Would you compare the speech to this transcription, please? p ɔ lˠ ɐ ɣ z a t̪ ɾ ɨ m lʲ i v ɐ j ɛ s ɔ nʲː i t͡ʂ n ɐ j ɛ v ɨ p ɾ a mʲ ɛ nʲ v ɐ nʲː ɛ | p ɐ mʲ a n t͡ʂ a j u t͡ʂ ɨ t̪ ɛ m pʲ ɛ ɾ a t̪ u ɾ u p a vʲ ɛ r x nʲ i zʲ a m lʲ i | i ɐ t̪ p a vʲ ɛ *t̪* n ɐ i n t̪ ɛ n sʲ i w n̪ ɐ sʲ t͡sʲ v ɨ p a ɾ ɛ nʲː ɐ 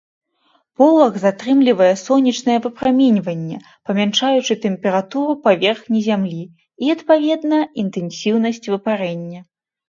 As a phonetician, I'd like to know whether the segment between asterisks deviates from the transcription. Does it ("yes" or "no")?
yes